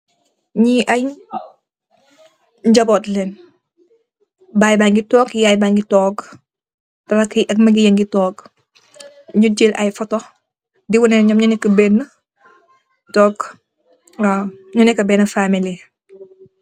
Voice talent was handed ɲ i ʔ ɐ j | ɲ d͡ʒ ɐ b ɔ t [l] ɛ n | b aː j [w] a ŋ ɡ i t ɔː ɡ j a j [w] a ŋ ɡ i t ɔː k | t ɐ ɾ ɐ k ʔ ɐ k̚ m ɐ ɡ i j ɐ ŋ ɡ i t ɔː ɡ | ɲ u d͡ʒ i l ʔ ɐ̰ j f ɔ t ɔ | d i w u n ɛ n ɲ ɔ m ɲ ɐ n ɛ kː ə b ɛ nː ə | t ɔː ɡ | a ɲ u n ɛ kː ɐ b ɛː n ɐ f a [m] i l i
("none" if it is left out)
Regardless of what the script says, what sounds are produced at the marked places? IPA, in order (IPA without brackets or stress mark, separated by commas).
l, b, b, m